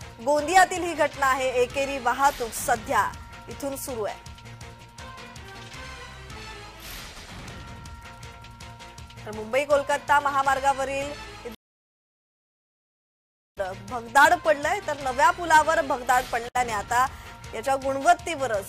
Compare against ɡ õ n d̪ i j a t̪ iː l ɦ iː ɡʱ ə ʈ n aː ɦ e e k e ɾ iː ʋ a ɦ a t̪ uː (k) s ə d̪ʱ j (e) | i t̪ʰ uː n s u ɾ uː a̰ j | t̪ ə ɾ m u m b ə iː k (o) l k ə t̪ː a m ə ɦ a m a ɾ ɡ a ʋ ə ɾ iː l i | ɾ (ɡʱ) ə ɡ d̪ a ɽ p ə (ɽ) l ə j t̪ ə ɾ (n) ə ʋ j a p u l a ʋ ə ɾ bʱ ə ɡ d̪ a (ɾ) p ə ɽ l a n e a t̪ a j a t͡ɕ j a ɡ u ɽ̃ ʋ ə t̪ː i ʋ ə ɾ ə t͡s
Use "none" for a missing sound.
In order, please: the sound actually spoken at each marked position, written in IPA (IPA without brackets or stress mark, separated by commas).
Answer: k, a, o, bʱ, ɽ, n, ɽ